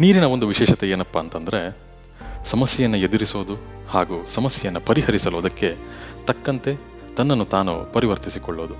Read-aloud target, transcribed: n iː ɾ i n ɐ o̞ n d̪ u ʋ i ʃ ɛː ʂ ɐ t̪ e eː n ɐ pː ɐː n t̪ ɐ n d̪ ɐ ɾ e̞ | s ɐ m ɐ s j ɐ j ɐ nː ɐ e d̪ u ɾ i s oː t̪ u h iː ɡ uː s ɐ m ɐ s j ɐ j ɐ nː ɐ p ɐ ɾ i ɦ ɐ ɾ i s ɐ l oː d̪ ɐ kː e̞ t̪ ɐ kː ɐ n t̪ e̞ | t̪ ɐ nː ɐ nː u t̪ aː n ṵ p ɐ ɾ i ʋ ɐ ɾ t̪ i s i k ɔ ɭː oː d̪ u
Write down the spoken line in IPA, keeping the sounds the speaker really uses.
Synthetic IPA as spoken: n iː ɾ i n ɐ o̞ n d̪ u ʋ i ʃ ɛː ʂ ɐ t̪ e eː n ɐ pː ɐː n t̪ ɐ n d̪ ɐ ɾ e̞ | s ɐ m ɐ s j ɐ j ɐ nː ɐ e d̪ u ɾ i s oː d̪ u h aː ɡ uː s ɐ m ɐ s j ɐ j ɐ nː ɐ p ɐ ɾ i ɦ ɐ ɾ i s ɐ l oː d̪ ɐ kː e̞ t̪ ɐ kː ɐ n t̪ e̞ | t̪ ɐ nː ɐ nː u t̪ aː n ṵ p ɐ ɾ i ʋ ɐ ɾ t̪ i s i k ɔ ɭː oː d̪ u